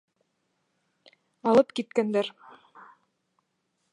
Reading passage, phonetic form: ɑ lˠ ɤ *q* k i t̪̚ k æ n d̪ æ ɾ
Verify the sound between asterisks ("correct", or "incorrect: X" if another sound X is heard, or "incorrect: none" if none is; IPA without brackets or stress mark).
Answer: incorrect: p